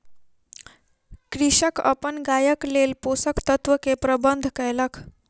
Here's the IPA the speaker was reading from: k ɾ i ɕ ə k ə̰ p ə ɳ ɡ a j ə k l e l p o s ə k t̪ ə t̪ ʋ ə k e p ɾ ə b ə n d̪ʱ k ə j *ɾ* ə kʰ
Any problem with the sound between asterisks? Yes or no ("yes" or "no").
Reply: yes